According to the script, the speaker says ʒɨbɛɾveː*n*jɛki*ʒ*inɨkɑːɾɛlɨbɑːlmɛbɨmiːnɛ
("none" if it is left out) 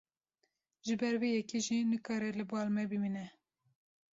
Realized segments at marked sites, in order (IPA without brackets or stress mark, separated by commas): none, ʒ